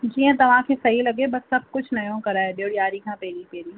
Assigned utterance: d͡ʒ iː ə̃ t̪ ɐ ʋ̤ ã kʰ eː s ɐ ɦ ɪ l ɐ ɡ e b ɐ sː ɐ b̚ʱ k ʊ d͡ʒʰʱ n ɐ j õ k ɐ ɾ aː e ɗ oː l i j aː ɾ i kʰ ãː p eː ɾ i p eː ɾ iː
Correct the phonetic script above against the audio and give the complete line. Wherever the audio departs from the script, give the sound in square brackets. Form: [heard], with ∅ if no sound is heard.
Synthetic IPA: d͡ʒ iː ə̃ t̪ ɐ ʋ̤ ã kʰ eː s ɐ ɦ [i] l ɐ ɡ e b ɐ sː ɐ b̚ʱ k ʊ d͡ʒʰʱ n ɐ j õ k ɐ ɾ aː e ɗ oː [ɽ] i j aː ɾ i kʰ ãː p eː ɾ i p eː ɾ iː